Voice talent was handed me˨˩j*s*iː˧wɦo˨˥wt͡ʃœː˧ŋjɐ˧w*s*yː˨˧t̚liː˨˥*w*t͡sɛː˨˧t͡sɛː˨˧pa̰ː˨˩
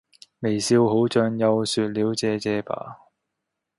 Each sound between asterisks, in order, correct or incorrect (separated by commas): correct, correct, correct